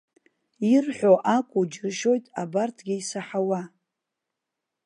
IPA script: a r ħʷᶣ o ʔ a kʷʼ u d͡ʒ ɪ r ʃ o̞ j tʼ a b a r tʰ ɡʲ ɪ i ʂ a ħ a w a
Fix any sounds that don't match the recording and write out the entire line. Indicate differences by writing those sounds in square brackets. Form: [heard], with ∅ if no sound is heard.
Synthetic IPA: [i] r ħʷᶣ o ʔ a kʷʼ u d͡ʒ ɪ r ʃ o̞ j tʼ a b a r tʰ ɡʲ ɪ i [s] a ħ a w a